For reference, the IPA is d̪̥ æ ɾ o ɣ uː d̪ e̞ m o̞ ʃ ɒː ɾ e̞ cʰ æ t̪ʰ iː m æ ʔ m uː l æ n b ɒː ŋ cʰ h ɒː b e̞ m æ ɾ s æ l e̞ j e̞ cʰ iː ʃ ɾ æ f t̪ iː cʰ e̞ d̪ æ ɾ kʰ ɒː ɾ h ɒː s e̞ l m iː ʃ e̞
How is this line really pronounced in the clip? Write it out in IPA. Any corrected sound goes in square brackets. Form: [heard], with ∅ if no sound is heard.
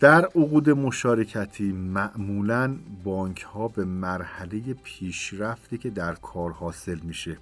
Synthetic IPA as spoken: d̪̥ æ ɾ o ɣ uː d̪ e̞ m o̞ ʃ ɒː ɾ e̞ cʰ æ t̪ʰ iː m æ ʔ m uː l æ n b ɒː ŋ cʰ h ɒː b e̞ m æ ɾ [h] æ l e̞ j e̞ [pʰ] iː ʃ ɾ æ f t̪ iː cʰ e̞ d̪ æ ɾ kʰ ɒː ɾ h ɒː s e̞ l m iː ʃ e̞